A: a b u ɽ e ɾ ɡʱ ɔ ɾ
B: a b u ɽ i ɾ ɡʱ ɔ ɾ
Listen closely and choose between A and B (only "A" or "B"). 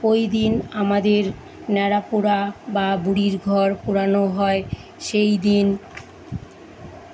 B